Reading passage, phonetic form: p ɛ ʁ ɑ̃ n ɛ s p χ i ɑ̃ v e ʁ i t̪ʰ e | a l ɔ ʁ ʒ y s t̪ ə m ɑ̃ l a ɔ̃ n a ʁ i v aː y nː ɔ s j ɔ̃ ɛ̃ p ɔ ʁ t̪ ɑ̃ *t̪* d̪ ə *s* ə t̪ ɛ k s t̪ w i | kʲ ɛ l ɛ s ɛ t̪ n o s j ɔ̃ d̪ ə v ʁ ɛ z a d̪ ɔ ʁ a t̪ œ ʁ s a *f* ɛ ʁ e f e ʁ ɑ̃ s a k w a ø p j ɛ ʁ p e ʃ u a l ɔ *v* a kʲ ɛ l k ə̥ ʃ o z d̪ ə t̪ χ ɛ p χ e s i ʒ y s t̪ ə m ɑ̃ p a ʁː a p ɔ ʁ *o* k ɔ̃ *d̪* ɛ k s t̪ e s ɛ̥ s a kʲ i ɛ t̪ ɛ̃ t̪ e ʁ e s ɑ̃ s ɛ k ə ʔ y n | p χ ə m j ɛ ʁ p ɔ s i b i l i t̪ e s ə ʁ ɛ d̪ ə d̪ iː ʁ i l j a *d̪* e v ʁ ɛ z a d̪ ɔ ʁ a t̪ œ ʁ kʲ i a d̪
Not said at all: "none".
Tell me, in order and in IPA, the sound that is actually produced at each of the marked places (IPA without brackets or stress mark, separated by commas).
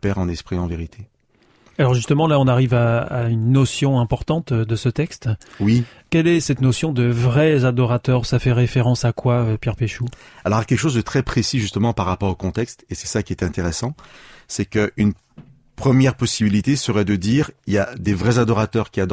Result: t̪, s, f, ʁ, o, t̪, d̪